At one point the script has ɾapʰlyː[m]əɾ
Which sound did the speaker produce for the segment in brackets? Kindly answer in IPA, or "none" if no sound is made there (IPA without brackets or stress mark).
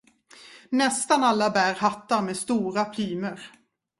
m